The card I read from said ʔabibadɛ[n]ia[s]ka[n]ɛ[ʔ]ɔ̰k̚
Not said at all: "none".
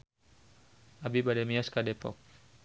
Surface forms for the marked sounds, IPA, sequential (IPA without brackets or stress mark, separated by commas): m, s, d, p